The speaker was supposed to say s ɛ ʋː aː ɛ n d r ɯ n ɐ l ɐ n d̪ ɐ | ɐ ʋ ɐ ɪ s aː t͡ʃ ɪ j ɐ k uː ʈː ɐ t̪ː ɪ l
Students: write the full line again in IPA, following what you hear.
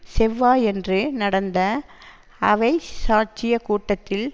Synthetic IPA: s ɛ ʋː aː ɛ n d r ɯ n ɐ ɽ ɐ n d̪ ɐ | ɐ ʋ ɐ ɪ s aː t͡ʃ ɪ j ɐ k uː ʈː ɐ t̪ː ɪ l